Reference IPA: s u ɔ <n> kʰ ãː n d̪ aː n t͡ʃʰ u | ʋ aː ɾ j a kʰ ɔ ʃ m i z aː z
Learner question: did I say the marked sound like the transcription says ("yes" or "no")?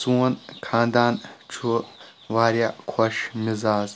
yes